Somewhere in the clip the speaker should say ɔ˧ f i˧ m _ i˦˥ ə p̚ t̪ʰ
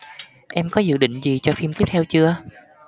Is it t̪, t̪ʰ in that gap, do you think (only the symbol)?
t̪